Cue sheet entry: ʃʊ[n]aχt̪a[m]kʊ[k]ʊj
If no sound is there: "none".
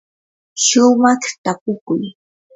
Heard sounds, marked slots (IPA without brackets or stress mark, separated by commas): m, none, k